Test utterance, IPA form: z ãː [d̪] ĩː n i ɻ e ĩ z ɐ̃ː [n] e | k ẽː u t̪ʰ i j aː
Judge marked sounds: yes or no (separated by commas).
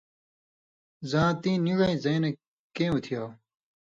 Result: no, yes